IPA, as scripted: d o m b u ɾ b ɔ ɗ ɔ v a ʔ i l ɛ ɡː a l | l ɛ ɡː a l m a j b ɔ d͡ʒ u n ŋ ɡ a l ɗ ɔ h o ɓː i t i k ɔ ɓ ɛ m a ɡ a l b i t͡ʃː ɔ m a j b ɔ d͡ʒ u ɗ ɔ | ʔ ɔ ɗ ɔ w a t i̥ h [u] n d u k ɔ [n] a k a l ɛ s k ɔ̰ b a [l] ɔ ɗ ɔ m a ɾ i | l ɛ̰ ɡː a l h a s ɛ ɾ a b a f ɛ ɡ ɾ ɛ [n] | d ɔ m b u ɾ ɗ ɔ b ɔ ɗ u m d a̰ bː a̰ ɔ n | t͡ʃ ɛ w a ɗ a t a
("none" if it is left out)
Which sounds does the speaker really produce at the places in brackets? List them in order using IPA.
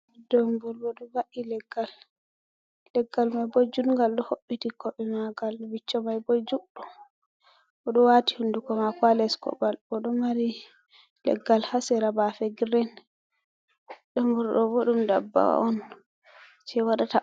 u, m, l, n

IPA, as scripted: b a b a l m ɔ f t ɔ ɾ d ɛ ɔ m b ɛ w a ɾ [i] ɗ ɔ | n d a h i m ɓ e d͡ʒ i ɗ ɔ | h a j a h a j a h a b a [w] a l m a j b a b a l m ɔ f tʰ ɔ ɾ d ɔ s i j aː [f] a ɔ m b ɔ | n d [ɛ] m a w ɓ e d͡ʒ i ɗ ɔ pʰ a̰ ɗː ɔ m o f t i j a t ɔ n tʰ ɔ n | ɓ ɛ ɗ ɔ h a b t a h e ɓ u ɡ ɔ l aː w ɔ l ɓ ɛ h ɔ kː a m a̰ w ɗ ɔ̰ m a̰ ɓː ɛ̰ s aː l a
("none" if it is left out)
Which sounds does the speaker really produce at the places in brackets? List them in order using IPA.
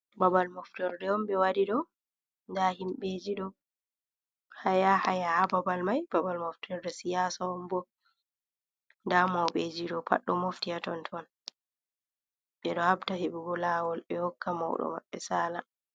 i, b, s, a

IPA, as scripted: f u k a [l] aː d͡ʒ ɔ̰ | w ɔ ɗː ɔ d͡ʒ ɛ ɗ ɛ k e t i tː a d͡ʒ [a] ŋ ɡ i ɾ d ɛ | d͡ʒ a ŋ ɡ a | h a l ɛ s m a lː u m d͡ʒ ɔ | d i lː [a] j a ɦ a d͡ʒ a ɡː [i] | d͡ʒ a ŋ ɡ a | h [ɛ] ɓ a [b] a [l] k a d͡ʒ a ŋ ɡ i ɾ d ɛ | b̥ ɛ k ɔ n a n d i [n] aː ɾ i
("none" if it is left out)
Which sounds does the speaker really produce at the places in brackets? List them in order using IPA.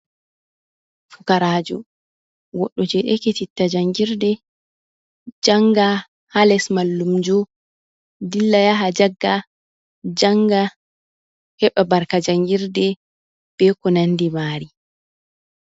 ɾ, a, a, a, ɛ, b, ɾ, m

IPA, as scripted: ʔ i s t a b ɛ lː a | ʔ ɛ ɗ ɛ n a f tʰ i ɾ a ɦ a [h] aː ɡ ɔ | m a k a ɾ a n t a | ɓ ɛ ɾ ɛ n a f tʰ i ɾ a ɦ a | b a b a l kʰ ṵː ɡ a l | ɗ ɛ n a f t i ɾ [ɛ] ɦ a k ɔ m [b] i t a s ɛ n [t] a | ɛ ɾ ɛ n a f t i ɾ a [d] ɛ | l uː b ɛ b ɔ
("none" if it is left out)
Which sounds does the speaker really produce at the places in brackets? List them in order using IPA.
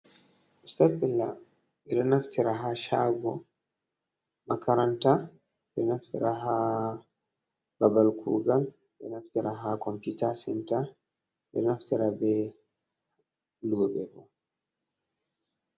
ʃ, a, p, t, b

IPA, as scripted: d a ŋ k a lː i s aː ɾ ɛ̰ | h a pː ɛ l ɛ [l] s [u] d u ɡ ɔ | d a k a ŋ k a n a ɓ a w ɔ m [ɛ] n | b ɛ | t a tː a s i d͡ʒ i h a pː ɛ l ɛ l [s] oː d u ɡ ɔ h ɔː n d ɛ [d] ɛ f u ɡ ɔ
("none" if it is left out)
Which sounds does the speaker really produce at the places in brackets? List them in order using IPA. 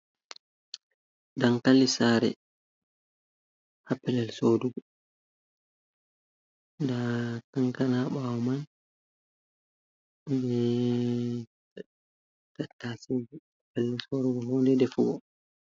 l, o, a, s, d

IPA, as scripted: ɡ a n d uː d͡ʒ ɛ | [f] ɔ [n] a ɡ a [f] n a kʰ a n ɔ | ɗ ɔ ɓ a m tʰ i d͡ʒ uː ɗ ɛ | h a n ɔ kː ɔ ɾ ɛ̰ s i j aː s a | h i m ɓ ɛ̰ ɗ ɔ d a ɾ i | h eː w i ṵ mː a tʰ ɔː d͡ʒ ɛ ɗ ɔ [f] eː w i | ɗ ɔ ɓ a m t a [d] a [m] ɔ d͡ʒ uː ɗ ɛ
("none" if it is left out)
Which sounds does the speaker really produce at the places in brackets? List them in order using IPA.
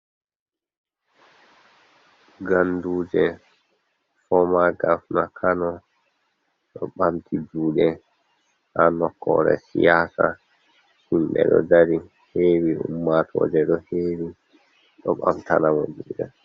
f, m, f, h, n, m

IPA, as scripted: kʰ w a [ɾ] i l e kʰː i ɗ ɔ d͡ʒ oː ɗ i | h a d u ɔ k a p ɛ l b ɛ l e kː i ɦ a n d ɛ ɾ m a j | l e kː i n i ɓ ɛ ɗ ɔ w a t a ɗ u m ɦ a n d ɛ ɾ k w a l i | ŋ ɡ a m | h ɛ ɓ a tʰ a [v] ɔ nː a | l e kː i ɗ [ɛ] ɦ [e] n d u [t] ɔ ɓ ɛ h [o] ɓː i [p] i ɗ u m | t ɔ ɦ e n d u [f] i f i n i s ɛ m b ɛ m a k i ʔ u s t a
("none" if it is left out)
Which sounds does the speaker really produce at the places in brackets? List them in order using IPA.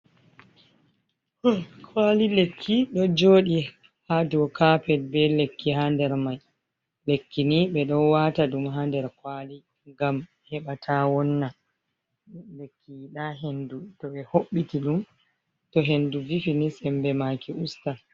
l, w, a, e, t, o, t, v

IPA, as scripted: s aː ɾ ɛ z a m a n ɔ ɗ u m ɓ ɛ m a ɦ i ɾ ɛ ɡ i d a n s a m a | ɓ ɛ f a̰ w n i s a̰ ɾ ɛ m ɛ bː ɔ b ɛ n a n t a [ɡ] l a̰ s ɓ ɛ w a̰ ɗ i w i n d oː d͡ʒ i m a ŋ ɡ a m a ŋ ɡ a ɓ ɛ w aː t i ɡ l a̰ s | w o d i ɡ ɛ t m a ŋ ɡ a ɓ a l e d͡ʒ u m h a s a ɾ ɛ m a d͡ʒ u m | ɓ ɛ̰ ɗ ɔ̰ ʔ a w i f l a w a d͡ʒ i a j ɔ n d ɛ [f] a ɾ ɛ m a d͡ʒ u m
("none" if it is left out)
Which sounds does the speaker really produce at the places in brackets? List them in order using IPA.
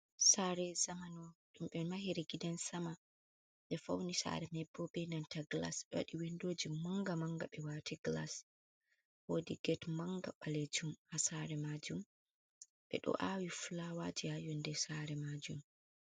ɡ, s

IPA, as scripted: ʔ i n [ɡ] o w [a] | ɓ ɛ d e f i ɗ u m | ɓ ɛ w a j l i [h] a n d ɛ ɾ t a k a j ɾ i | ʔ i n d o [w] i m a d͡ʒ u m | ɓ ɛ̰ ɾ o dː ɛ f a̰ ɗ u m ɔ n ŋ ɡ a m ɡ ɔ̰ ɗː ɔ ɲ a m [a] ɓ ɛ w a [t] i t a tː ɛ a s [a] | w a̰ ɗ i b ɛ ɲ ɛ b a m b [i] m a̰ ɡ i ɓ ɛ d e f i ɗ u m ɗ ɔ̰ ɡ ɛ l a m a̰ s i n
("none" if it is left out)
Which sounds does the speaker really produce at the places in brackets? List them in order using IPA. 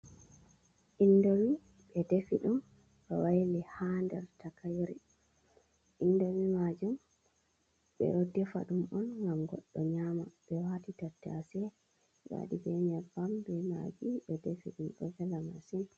d, i, h, w, a, t, ɛ, ɛ

